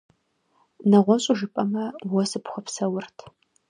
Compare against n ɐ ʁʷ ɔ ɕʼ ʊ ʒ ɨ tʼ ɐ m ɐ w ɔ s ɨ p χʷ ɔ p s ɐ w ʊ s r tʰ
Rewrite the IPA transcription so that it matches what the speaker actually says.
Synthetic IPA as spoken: n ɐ ʁʷ ɔ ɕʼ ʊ ʒ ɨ pʼ ɐ m ɐ w ɔ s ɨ p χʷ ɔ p s ɐ w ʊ r tʰ

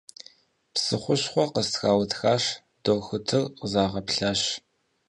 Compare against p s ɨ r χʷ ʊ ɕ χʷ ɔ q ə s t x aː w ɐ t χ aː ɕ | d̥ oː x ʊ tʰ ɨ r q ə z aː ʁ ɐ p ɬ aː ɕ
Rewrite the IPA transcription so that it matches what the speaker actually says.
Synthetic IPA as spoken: p s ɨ χʷ ʊ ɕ χʷ ɔ q ə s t x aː w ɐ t x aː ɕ | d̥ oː x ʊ tʰ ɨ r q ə z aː ʁ ɐ p ɬ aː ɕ

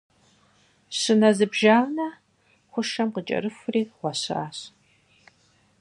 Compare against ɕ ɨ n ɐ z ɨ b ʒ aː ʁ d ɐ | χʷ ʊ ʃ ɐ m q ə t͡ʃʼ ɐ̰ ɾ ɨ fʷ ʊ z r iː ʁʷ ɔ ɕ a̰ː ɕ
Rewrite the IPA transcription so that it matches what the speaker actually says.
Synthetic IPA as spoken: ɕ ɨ n ɐ z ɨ b ʒ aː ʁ n ɐ | χʷ ʊ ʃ ɐ m q ə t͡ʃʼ ɐ̰ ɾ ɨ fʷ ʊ r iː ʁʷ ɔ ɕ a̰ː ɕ

